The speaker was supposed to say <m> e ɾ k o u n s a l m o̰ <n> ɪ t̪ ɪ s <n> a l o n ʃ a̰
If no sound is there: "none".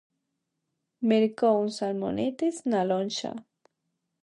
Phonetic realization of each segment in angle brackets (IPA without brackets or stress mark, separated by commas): m, n, n